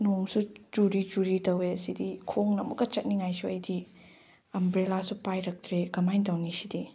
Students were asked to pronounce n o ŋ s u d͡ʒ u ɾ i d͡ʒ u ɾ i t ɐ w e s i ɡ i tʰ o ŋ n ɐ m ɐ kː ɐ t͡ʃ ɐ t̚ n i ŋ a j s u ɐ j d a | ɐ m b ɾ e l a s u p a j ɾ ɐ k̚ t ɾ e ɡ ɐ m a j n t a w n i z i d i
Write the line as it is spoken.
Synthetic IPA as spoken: n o ŋ s u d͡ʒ u ɾ i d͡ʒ u ɾ i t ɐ w e s i d i kʰ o ŋ n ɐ m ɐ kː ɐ t͡ʃ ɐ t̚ n i ŋ a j s u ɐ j d i | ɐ m b ɾ e l a s u p a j ɾ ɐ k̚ t ɾ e ɡ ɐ m a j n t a w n i s i d i